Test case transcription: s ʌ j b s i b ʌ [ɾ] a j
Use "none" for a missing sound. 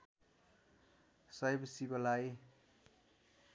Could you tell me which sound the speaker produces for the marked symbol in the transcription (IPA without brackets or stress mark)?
l